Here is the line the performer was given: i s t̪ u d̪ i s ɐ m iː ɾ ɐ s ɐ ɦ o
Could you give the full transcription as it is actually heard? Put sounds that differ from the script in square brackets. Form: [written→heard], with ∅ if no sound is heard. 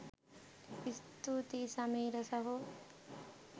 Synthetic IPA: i s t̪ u [d̪→t̪] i s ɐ m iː ɾ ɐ s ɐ ɦ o